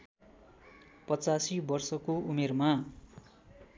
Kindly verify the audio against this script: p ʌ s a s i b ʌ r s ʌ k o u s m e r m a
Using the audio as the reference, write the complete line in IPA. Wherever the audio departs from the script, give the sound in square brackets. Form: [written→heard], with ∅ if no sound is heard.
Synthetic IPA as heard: p ʌ [s→t͡s] a s i b ʌ r s ʌ k o u [s→∅] m e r m a